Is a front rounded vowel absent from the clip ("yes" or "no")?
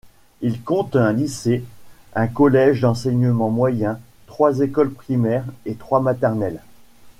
yes